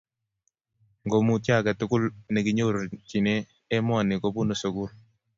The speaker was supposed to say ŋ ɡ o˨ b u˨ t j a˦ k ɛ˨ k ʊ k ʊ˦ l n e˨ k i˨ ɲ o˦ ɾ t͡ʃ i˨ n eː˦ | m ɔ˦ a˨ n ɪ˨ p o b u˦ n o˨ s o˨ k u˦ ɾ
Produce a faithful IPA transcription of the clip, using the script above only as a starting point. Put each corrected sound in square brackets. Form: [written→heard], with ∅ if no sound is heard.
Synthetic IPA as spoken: ŋ ɡ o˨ [b→m] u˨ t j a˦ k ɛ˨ [k→t] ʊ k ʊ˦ l n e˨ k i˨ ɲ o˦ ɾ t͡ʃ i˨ n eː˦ | m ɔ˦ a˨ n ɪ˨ [p→k] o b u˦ n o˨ s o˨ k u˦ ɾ